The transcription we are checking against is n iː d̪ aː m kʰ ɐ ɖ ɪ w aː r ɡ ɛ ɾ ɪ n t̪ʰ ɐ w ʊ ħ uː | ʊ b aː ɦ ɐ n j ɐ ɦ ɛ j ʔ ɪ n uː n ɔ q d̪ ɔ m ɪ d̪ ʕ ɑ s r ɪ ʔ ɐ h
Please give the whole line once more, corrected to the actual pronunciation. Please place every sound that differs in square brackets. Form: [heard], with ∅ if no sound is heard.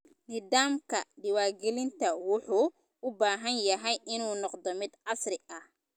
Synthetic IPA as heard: n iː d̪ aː m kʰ ɐ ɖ ɪ w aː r ɡ ɛ [l] ɪ n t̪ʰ ɐ w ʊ ħ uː | ʊ b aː ɦ ɐ n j ɐ ɦ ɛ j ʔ ɪ n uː n ɔ q d̪ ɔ m ɪ d̪ ʕ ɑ s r ɪ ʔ ɐ h